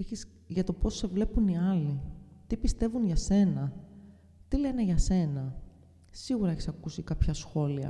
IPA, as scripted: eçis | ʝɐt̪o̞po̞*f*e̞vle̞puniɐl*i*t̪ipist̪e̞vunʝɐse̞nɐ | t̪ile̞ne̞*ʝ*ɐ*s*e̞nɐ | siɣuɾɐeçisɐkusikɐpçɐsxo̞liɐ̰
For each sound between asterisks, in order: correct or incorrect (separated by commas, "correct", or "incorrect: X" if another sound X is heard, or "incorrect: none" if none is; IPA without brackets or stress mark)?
incorrect: s, correct, correct, correct